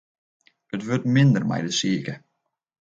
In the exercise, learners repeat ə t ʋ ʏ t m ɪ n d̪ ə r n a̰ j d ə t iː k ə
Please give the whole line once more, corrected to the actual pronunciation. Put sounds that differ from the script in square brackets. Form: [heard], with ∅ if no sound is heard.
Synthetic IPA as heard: ə t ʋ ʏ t m ɪ n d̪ ə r [m] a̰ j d ə [s] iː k ə